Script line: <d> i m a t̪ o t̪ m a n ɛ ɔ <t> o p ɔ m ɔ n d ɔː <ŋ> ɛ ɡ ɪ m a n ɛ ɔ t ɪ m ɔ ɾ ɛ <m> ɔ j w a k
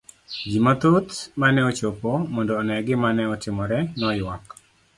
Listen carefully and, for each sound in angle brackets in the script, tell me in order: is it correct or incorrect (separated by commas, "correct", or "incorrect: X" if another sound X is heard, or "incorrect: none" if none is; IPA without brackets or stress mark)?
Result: incorrect: d͡ʒ, incorrect: t͡ʃ, incorrect: n, incorrect: n